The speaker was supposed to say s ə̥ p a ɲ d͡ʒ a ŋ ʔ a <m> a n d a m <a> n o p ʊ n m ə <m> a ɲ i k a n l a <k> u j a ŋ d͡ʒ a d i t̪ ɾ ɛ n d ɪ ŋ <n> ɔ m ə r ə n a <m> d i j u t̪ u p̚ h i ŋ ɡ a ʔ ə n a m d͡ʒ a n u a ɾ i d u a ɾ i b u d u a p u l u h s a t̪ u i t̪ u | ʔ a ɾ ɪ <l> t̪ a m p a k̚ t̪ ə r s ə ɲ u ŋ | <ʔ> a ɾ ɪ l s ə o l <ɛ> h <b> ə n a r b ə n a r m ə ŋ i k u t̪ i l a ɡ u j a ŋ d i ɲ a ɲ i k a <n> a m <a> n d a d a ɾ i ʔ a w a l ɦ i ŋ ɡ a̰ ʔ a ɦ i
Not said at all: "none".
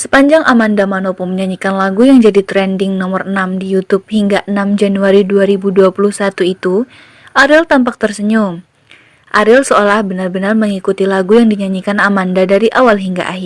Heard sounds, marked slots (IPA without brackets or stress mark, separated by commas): m, a, ɲ, ɡ, n, m, l, ʔ, a, b, n, a